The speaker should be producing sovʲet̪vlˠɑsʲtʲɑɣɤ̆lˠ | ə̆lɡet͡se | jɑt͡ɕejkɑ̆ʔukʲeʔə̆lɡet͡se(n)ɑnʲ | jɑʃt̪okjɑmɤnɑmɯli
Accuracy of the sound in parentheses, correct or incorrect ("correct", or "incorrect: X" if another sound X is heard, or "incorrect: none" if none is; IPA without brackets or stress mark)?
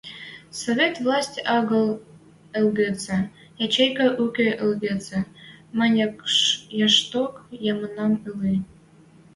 incorrect: m